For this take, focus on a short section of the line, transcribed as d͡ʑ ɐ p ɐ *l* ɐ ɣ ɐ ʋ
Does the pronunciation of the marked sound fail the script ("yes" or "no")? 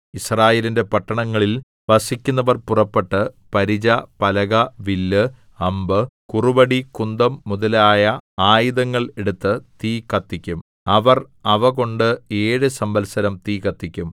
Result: no